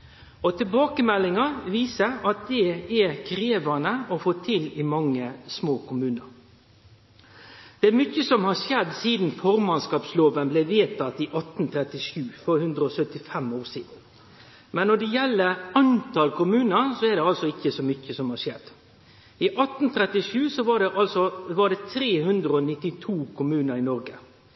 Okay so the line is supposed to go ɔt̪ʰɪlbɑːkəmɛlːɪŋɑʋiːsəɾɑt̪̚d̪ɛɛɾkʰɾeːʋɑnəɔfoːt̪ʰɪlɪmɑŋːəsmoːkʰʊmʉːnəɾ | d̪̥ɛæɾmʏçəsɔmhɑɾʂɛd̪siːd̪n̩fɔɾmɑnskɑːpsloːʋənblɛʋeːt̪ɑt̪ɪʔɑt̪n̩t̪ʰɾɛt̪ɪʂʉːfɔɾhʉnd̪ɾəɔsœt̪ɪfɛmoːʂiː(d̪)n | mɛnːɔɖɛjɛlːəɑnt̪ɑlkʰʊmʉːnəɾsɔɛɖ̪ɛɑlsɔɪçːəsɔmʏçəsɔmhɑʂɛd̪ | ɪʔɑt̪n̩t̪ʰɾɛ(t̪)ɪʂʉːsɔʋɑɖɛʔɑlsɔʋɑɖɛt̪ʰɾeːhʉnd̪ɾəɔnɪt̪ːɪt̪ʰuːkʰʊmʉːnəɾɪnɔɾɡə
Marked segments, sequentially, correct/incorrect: correct, correct

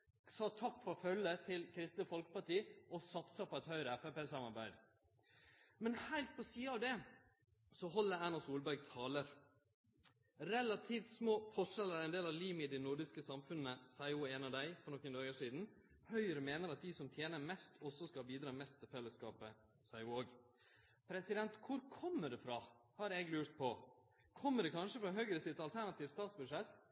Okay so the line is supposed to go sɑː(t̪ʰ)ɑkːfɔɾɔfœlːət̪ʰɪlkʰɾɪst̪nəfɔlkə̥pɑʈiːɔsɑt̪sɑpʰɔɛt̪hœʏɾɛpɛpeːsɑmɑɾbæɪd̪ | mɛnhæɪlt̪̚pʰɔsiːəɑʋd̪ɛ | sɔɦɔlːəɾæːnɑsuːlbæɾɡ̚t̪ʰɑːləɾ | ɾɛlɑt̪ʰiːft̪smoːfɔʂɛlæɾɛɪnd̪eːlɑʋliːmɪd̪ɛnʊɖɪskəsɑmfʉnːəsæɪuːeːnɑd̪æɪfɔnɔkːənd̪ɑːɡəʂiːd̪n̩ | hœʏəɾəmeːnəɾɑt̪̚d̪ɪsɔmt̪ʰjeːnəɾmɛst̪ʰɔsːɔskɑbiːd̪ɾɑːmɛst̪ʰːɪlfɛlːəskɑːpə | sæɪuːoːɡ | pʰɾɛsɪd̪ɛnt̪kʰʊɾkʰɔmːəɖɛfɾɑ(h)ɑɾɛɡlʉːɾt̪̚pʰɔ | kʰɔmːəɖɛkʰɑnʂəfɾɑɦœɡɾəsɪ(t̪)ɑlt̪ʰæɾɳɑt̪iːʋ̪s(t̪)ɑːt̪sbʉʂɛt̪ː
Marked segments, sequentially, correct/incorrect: correct, correct, correct, correct

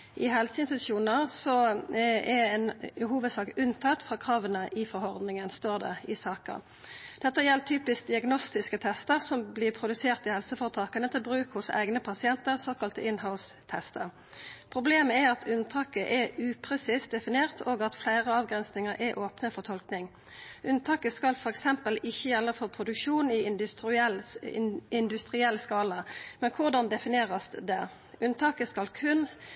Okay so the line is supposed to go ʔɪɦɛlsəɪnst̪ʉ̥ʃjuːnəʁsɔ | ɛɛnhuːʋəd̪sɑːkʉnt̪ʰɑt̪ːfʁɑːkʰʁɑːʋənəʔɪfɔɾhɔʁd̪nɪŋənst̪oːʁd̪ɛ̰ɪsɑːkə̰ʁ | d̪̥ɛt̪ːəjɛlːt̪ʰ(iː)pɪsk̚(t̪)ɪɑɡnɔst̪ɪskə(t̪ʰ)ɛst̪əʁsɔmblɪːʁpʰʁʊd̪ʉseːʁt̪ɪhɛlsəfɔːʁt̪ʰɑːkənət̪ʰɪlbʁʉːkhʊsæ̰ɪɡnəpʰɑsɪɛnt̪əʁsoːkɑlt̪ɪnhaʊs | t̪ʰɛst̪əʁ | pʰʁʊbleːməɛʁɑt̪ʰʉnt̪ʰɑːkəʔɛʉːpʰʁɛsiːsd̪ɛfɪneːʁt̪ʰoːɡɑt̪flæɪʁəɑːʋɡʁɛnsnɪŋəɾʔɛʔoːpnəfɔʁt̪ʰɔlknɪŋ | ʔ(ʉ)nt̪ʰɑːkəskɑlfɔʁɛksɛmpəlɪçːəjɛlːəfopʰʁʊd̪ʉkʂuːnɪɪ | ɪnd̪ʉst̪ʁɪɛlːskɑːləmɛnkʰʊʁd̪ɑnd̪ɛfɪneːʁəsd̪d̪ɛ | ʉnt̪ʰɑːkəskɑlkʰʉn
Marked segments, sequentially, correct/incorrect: incorrect, incorrect, correct, correct

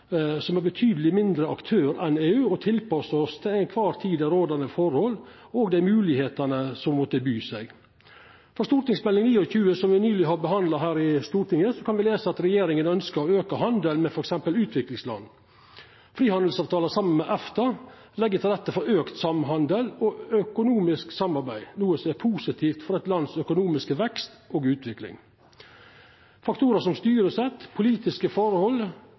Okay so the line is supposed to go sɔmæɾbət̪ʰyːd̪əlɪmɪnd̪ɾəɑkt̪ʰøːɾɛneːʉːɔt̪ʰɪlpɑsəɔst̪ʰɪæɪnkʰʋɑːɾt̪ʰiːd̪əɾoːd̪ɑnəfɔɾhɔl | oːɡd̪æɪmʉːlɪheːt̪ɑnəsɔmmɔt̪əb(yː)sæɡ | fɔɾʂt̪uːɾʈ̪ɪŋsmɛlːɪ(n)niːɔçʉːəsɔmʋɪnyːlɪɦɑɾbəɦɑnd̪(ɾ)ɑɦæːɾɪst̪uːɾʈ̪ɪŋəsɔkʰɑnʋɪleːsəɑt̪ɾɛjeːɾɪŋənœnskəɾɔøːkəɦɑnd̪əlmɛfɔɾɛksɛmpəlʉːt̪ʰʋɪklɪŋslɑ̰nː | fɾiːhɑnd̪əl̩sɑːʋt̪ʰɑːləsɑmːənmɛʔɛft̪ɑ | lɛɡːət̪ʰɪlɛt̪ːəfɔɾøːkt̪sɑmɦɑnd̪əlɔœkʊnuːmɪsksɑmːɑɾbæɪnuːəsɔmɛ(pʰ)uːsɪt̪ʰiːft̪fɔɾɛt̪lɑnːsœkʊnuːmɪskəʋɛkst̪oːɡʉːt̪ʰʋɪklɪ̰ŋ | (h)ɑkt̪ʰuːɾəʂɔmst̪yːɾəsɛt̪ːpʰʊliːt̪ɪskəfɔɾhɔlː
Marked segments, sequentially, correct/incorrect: correct, incorrect, incorrect, correct, incorrect

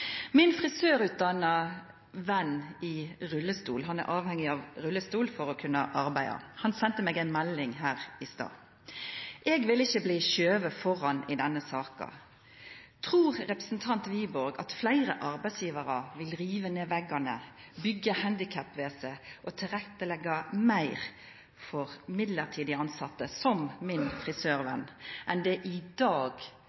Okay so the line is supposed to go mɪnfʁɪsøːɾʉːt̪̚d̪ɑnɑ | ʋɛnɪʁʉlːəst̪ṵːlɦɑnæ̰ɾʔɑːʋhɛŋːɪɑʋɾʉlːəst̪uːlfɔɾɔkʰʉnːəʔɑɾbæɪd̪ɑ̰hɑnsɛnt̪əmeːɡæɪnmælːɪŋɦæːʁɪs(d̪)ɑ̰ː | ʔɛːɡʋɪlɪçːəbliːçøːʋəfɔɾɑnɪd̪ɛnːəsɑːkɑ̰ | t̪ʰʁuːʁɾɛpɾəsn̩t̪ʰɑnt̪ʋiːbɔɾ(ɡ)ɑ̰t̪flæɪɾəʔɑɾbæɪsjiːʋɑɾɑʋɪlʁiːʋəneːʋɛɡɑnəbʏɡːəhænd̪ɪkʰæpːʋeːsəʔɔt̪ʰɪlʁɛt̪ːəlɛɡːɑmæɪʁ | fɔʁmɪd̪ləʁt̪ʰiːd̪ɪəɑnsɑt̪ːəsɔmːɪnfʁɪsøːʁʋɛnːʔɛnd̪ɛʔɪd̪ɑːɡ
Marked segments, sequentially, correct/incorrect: incorrect, correct

